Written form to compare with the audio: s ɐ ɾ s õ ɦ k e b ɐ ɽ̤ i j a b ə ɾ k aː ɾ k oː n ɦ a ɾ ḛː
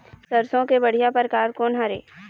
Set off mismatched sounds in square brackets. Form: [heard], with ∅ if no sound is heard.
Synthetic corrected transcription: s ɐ ɾ s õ [∅] k e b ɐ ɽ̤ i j a [p] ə ɾ k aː ɾ k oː n ɦ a ɾ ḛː

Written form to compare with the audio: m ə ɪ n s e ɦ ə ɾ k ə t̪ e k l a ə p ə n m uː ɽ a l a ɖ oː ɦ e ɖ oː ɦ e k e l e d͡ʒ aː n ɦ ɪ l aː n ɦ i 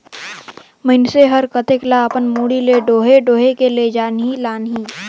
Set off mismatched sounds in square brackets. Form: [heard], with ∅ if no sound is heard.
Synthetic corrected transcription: m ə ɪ n s e ɦ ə ɾ k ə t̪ e k l a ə p ə n m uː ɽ [i] l [e] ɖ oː ɦ e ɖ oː ɦ e k e l e d͡ʒ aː n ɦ [i] l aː n ɦ i

